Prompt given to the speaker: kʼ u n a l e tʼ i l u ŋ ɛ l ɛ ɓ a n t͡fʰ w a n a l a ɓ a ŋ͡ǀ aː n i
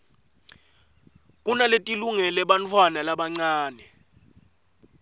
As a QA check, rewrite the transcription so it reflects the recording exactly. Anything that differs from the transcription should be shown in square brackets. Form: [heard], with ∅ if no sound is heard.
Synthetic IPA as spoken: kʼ u n a l e tʼ i l u ŋ ɛ l ɛ ɓ a n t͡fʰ w a n a l a ɓ a ŋ͡ǀ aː n [ɛ]